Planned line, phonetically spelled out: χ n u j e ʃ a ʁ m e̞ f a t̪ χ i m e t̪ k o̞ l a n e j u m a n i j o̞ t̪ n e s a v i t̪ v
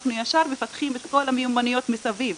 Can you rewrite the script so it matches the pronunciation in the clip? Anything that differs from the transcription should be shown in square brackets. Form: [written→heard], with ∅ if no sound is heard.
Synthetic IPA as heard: χ n u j [e→a] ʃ a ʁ m e̞ f a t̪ χ i m e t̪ k o̞ l a [n→m] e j u m a n i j o̞ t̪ [n→m] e s a v i [t̪→∅] v